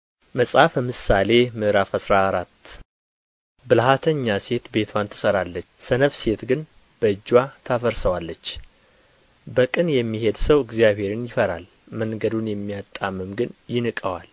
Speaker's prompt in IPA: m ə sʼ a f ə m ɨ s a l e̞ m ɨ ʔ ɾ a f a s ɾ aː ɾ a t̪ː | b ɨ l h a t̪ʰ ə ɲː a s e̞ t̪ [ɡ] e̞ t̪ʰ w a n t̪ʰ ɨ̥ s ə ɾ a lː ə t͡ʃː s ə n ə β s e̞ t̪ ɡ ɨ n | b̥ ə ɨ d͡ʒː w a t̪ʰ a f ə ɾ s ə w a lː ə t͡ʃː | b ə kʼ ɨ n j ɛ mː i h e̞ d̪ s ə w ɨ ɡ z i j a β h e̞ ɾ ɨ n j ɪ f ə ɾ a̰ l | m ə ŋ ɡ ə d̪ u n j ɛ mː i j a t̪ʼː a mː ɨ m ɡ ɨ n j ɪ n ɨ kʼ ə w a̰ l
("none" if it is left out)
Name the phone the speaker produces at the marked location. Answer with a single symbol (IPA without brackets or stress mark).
b